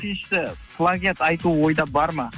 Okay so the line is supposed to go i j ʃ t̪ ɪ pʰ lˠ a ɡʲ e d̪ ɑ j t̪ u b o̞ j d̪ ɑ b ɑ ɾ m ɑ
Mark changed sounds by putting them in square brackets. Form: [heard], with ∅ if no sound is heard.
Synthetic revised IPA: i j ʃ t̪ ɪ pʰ lˠ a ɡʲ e [t̪] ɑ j t̪ u [w] o̞ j d̪ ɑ b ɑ ɾ m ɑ